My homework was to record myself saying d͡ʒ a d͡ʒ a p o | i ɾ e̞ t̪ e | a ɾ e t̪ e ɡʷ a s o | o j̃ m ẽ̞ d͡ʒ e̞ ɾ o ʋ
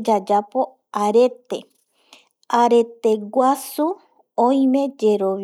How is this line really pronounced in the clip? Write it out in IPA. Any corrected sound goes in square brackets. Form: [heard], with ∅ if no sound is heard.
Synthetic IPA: d͡ʒ a d͡ʒ a p o | [a] ɾ e̞ t̪ e | a ɾ e t̪ e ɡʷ a s [u] | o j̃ m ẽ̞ d͡ʒ e̞ ɾ o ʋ